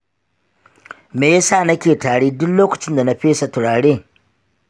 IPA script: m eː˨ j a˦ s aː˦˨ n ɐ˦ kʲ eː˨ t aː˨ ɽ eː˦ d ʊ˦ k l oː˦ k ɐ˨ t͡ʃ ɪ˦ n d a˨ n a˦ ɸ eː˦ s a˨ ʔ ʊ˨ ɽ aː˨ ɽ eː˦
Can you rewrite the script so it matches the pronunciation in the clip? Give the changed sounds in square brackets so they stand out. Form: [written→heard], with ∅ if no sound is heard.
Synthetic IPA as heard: m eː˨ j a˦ s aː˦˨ n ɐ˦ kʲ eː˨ t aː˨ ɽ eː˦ d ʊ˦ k l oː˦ k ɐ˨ t͡ʃ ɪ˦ n d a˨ n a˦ ɸ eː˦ s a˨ [ʔ→t] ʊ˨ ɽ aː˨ ɽ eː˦